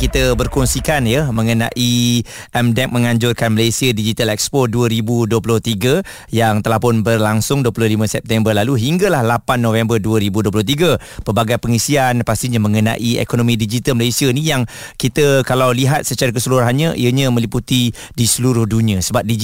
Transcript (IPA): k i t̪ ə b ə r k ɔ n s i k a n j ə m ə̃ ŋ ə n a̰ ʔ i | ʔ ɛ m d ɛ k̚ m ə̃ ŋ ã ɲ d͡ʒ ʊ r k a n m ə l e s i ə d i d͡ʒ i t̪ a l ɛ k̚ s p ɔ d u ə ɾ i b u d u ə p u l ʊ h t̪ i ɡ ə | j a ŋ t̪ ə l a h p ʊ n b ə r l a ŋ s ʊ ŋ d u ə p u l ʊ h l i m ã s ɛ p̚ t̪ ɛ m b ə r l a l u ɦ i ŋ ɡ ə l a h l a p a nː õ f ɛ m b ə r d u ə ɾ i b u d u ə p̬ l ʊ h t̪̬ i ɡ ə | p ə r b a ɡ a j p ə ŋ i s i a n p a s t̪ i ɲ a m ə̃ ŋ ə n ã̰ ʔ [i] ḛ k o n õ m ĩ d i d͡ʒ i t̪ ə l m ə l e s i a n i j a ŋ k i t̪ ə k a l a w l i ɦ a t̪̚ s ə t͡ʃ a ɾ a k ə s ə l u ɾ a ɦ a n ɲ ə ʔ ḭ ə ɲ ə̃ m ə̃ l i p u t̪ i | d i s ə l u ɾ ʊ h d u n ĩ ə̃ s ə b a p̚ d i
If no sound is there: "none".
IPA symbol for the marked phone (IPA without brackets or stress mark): i